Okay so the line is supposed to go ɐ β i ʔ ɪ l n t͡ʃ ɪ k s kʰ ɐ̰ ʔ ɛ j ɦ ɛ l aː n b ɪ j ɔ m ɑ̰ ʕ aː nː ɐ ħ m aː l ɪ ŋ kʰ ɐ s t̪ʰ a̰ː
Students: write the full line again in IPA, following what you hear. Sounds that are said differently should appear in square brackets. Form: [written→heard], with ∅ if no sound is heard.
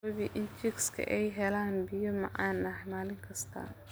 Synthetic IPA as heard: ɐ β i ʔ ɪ [l→∅] n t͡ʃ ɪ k s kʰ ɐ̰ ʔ ɛ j ɦ ɛ l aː n b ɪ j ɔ m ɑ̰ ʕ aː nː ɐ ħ m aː l ɪ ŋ kʰ ɐ s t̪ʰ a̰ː